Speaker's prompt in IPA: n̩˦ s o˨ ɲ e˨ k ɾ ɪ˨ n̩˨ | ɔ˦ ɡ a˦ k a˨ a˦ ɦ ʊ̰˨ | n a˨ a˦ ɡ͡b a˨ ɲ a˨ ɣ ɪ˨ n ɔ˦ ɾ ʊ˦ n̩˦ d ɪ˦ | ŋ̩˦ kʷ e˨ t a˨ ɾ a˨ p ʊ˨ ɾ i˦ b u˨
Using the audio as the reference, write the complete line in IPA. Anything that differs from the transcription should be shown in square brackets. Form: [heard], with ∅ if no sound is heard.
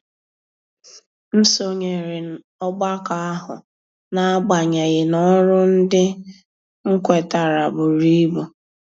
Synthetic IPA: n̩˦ s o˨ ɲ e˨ [∅] ɾ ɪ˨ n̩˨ | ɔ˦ [ɡ͡b] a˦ k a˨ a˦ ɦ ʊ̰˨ | n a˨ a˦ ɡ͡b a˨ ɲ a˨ ɣ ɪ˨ n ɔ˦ ɾ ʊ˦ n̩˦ d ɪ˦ | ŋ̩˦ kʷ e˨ t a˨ ɾ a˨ [b] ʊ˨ ɾ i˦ b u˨